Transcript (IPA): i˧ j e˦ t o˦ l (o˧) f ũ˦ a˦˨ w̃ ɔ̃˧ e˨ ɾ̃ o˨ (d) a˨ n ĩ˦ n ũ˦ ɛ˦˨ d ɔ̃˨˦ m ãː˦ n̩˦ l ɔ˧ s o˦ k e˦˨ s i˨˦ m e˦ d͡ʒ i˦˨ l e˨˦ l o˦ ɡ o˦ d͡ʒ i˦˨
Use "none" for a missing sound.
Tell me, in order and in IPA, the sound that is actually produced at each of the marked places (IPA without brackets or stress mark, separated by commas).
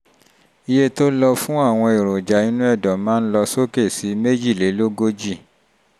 ɔ˧, d͡ʒ